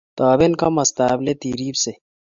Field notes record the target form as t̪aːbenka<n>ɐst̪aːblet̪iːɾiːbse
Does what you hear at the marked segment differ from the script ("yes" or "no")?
yes